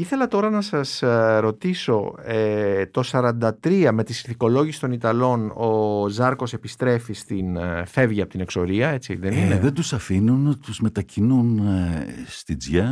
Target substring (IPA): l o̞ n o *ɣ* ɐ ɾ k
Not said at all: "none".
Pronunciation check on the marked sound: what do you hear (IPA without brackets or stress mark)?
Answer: z